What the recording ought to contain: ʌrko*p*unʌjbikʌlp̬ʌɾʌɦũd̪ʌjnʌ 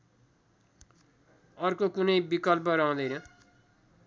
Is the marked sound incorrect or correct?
incorrect